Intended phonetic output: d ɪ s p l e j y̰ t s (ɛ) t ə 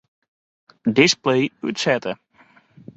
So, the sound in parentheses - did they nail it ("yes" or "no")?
yes